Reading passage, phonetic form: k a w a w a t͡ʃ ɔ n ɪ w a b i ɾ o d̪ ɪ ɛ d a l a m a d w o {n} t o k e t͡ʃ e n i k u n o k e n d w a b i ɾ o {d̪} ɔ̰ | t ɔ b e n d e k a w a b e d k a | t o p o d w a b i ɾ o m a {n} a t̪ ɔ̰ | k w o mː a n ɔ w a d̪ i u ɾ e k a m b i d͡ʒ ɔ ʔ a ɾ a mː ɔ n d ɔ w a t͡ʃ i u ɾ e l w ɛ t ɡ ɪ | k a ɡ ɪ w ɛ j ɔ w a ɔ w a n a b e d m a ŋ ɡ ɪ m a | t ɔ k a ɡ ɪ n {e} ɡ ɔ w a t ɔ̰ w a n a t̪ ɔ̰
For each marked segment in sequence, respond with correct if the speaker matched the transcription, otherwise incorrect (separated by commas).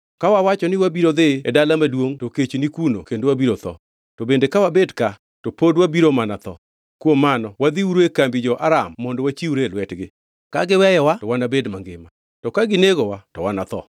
incorrect, incorrect, correct, correct